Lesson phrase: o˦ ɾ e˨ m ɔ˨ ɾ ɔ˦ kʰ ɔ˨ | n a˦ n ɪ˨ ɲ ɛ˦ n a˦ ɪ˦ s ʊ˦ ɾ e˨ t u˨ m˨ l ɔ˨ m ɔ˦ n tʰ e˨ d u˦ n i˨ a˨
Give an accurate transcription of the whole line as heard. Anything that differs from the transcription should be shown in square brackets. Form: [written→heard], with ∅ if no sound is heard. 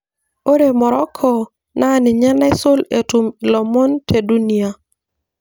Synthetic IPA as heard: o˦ ɾ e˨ m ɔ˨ ɾ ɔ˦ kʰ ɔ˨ | n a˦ n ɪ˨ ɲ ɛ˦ n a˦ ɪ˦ s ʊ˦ [ɾ→l] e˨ t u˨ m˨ l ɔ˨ m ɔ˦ n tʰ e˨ d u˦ n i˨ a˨